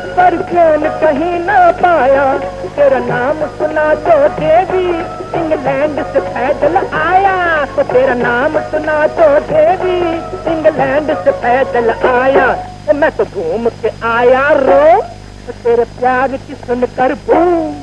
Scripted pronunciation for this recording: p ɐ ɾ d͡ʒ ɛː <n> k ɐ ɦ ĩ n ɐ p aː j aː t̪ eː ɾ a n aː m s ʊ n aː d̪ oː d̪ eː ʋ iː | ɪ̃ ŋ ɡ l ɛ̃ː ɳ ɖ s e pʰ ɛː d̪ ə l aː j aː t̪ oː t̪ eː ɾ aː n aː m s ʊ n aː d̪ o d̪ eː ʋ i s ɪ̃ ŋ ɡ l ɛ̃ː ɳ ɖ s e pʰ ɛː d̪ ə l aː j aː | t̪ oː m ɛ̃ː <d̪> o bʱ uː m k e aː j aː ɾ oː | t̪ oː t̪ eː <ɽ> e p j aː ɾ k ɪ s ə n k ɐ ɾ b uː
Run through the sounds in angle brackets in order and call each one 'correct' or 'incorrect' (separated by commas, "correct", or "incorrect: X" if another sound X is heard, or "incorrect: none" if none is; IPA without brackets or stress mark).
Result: correct, incorrect: t̪, incorrect: ɾ